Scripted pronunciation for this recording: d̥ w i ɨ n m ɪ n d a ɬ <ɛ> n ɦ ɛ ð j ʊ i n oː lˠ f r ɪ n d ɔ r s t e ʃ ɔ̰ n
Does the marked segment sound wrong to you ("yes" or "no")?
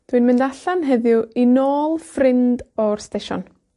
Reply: yes